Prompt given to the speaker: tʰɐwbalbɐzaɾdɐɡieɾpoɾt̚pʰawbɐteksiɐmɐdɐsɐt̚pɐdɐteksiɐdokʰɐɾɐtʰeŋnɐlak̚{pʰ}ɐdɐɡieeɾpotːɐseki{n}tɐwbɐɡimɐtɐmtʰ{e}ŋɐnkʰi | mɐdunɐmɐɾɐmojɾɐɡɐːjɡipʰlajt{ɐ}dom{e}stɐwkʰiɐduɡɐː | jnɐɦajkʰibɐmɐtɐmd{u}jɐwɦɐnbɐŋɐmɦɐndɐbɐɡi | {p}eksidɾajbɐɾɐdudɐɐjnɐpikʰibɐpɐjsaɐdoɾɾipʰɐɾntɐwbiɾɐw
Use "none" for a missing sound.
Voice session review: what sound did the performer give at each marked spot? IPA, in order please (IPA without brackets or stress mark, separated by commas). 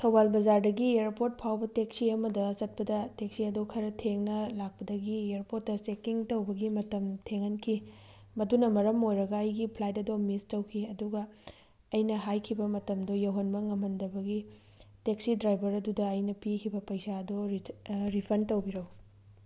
p, ŋ, e, ɐ, i, o, t